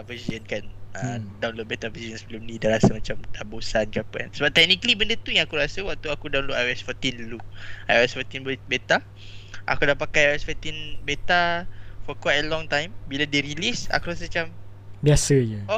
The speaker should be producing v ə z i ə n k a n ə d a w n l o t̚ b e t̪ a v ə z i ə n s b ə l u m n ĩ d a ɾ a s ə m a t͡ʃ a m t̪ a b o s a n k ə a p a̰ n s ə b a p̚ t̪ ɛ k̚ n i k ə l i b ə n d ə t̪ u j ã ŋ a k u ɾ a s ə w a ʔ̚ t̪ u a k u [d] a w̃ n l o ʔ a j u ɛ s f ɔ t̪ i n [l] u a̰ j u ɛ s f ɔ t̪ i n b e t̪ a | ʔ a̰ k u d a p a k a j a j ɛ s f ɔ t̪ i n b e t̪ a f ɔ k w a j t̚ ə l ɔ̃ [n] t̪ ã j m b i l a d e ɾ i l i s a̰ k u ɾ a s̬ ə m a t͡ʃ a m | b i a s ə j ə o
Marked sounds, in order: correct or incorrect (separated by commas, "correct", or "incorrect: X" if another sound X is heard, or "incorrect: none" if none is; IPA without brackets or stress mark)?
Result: correct, correct, incorrect: ŋ